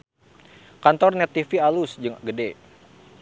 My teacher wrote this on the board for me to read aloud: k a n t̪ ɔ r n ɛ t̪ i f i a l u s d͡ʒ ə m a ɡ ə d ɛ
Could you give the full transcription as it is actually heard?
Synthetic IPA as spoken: k a n t̪ ɔ r n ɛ t̪ i f i a l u s d͡ʒ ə ŋ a ɡ ə d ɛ